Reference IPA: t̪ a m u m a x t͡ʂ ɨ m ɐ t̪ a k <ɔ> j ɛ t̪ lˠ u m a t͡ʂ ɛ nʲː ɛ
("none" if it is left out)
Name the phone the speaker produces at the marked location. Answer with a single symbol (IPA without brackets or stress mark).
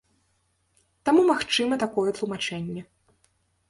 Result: ɔ